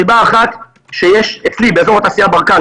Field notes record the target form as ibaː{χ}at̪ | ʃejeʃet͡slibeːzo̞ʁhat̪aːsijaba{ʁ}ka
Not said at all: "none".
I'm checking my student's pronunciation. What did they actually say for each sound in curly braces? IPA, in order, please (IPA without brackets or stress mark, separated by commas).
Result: χ, ʁ